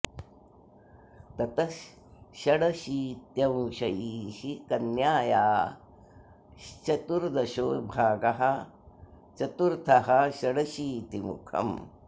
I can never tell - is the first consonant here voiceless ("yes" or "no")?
yes